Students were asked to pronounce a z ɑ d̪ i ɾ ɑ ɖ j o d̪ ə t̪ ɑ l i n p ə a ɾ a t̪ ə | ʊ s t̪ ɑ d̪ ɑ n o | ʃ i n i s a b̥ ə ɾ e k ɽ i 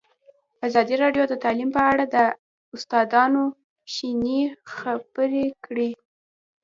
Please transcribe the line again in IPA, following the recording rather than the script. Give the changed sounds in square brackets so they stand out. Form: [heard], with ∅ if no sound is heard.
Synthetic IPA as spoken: a z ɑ d̪ i ɾ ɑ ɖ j o d̪ ə t̪ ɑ l i [m] p ə a [ɽ] a [d̪] ə | ʊ s t̪ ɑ d̪ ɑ n o | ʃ i n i [x] a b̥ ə ɾ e k ɽ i